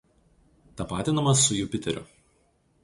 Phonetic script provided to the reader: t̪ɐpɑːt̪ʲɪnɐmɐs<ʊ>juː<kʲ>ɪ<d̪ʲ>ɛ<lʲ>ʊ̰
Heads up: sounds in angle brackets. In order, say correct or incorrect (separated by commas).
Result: correct, incorrect, incorrect, incorrect